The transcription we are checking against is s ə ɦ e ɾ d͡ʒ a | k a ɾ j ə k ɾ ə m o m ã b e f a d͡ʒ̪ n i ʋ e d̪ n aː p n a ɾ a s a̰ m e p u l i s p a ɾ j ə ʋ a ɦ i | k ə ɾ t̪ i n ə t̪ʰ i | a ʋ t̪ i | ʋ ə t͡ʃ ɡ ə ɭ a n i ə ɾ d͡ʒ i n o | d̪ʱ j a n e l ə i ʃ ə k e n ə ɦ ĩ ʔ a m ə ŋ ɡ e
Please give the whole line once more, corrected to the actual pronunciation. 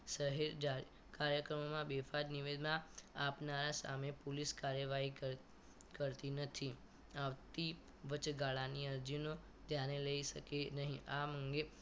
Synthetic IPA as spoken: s ə ɦ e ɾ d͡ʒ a | k a ɾ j ə k ɾ ə m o m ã b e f a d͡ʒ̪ n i ʋ e d̪ n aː p n a ɾ a s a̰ m e p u l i s k a ɾ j ə ʋ a ɦ i | k ə ɾ t̪ i n ə t̪ʰ i | a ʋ t̪ i | ʋ ə t͡ʃ ɡ a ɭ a n i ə ɾ d͡ʒ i n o | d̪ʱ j a n e l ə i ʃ ə k e n ə ɦ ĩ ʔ a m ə ŋ ɡ e